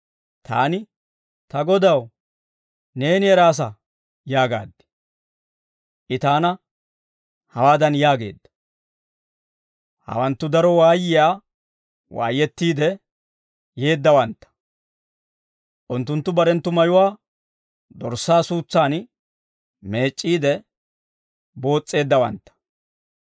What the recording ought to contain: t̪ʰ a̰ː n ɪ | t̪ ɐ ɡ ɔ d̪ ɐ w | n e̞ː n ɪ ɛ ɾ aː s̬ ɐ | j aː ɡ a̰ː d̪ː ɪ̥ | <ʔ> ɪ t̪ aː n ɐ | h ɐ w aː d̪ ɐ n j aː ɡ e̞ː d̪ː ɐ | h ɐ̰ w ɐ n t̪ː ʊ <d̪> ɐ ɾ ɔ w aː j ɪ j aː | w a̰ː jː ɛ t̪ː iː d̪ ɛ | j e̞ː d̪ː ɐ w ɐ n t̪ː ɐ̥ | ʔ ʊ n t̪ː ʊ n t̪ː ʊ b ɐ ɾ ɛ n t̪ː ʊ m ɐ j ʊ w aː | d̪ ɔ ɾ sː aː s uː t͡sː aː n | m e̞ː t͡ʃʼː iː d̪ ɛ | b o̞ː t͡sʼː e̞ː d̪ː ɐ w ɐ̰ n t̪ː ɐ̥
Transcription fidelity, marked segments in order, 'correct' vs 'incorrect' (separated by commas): correct, correct